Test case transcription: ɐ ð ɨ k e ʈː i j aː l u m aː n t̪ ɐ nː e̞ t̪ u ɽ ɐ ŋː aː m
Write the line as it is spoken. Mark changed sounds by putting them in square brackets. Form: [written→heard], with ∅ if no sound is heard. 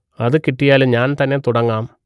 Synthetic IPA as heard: ɐ ð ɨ k [e→i] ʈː i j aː l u [m→ɲ] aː n t̪ ɐ nː e̞ t̪ u ɽ ɐ ŋː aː m